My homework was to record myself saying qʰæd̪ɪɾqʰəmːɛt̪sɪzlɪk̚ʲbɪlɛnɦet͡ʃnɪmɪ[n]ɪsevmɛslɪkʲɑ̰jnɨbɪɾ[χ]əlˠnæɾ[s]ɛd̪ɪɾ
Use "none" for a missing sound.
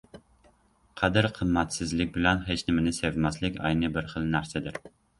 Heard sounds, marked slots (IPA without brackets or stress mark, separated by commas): n, χ, s